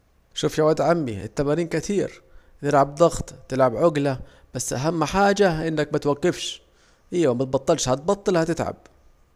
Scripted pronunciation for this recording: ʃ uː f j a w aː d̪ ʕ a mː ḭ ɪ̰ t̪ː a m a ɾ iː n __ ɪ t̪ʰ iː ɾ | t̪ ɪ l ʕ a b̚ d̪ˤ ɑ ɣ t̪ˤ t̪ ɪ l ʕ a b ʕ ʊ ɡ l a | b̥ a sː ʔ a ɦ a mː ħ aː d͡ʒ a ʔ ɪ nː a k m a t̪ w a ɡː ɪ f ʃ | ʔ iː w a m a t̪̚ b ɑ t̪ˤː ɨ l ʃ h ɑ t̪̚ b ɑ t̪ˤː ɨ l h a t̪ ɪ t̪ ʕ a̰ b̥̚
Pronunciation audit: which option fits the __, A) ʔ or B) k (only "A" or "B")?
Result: B